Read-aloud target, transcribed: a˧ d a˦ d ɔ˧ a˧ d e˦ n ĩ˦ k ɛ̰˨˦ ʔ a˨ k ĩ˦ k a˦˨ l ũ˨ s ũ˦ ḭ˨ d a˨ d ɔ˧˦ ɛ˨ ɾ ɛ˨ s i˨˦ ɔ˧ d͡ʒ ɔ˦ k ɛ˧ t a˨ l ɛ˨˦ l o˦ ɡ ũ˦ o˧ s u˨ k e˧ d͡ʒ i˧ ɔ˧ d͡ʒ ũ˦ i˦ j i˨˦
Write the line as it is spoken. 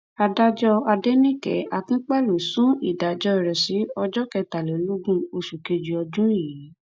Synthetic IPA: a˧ d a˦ d͡ʒ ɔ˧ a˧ d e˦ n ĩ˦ k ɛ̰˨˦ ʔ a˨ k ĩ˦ k͡p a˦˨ l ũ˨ s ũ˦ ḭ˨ d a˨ d͡ʒ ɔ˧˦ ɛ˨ ɾ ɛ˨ s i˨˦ ɔ˧ d͡ʒ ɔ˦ k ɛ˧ t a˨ l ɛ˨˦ l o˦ ɡ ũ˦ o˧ ʃ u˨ k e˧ d͡ʒ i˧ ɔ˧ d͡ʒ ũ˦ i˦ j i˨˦